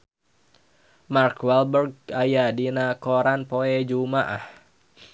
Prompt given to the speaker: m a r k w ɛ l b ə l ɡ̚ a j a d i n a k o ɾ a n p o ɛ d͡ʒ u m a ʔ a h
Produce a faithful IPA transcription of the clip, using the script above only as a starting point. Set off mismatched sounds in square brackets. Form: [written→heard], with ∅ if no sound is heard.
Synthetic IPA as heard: m a r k w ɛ l b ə [l→r] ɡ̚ a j a d i n a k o ɾ a n p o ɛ d͡ʒ u m a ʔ a h